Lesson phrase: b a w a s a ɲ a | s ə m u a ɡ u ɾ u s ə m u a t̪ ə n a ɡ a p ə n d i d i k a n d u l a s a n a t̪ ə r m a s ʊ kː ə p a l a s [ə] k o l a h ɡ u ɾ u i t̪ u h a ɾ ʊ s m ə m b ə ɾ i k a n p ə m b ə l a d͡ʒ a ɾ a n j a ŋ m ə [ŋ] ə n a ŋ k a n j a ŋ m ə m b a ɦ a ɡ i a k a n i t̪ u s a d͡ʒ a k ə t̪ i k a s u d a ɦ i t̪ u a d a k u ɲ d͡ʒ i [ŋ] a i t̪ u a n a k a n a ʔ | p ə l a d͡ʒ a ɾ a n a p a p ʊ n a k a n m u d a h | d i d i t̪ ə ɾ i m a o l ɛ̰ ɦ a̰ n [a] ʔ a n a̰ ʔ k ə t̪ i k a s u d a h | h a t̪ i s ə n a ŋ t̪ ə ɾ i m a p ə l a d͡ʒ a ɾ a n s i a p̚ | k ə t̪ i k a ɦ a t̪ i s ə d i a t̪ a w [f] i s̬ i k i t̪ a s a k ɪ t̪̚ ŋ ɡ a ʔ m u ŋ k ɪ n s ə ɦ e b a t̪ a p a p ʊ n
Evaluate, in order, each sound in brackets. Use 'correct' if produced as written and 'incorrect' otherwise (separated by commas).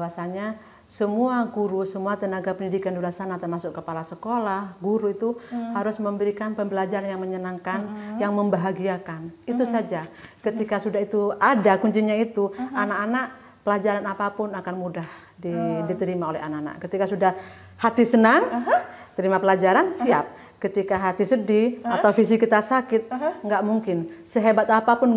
correct, incorrect, incorrect, correct, correct